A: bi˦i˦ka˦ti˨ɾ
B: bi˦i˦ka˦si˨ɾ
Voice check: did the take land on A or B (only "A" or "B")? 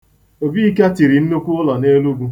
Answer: A